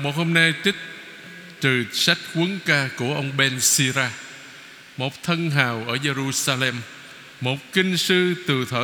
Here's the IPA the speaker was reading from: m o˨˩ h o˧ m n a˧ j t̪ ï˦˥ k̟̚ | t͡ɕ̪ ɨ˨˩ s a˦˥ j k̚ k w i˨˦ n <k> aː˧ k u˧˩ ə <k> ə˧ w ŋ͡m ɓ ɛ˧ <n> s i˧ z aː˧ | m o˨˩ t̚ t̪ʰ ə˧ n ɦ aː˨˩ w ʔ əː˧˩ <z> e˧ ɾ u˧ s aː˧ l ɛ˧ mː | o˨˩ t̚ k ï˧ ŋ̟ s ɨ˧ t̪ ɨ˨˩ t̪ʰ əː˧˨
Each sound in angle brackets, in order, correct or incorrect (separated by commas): correct, incorrect, correct, correct